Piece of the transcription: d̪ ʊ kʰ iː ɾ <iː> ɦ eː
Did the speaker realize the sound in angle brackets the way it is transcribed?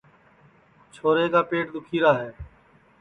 no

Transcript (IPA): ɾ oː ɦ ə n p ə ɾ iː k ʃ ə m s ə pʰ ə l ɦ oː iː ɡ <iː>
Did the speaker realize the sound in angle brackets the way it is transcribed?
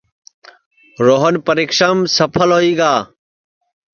no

